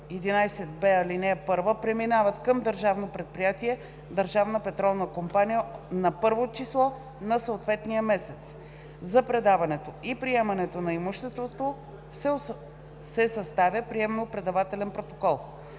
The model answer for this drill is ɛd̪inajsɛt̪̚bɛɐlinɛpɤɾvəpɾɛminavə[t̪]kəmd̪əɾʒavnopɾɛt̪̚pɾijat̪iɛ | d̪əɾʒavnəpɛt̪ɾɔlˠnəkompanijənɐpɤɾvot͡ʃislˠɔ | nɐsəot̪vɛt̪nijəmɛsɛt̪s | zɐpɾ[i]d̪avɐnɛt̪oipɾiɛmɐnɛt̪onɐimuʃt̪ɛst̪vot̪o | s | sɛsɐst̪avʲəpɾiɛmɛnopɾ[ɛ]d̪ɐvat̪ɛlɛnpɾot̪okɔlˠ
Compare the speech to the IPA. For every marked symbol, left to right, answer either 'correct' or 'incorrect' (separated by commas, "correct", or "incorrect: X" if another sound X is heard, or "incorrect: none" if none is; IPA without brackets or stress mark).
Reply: correct, incorrect: ɛ, correct